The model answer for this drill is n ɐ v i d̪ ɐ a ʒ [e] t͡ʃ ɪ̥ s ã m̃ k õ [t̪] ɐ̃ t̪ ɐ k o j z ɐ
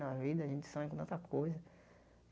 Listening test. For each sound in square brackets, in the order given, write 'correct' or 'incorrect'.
incorrect: ẽ, correct

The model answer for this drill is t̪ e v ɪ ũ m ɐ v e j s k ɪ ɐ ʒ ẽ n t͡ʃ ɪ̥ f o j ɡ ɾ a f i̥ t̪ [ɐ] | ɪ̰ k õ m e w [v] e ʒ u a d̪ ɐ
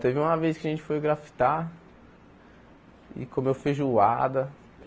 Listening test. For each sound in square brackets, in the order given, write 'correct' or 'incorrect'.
incorrect: a, incorrect: f

